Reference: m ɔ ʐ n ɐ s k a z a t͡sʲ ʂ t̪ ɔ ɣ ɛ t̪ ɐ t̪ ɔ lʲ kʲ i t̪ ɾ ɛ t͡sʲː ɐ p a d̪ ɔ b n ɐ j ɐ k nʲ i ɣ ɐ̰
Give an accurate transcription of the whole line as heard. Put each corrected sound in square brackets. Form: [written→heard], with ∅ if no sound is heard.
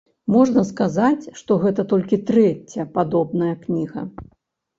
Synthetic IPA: m ɔ ʐ n ɐ s k a z a t͡sʲ ʂ t̪ ɔ ɣ ɛ t̪ ɐ t̪ ɔ lʲ kʲ i t̪ ɾ ɛ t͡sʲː ɐ p a d̪ ɔ b n ɐ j ɐ k nʲ i ɣ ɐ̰